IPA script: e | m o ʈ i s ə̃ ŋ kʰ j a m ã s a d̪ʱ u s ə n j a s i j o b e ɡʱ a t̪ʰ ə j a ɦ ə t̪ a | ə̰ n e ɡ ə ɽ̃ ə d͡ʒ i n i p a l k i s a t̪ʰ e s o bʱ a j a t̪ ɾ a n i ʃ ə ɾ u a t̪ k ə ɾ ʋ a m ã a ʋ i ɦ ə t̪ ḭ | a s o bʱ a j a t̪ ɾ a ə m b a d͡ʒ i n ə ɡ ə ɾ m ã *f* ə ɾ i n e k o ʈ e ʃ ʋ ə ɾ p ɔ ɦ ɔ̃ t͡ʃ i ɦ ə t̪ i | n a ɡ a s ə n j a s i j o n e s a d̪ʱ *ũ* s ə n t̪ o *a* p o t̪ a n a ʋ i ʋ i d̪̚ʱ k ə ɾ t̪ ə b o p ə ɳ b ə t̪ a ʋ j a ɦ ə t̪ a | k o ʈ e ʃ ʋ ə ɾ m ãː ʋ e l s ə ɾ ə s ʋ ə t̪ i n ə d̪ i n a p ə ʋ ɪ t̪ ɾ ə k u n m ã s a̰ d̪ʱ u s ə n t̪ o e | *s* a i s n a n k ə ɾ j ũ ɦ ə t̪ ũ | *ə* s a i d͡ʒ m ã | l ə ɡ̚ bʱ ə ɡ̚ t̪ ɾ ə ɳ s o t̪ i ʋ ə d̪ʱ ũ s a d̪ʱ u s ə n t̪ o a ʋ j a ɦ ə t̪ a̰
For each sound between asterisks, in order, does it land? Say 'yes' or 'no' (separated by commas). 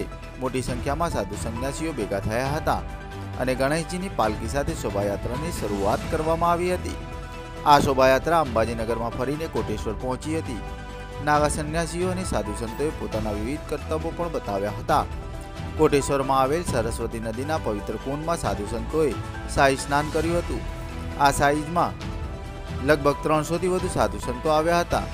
yes, no, no, yes, no